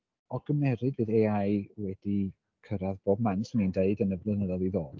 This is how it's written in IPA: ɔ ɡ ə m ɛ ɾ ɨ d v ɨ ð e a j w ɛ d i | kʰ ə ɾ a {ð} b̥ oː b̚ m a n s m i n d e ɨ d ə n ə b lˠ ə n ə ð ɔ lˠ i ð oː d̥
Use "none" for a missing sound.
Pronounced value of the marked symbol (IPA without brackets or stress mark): ð